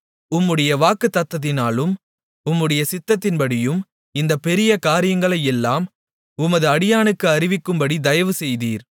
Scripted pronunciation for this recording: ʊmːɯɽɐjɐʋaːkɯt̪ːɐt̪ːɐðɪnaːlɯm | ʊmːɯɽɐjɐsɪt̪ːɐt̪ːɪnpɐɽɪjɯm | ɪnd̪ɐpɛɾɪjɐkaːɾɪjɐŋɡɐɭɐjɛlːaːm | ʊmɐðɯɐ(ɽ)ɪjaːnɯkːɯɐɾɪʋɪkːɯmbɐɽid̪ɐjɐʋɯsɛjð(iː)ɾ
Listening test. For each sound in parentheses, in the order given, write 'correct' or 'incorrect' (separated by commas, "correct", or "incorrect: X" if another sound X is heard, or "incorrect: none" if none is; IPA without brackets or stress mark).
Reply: correct, correct